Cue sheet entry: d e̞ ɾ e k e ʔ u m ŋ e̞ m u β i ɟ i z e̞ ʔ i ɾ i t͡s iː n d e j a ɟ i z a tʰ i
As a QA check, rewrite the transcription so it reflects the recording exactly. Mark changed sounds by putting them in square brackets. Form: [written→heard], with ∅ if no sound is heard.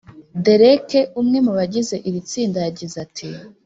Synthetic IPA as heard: d e̞ ɾ e k e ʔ u m ŋ e̞ m u β [i→a] ɟ i z e̞ ʔ i ɾ i t͡s iː n d [e→a] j a ɟ i z a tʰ i